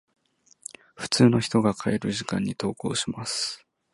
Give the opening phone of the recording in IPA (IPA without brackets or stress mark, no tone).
ɸ